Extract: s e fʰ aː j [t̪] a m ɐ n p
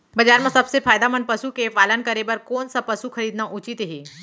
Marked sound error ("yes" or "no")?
yes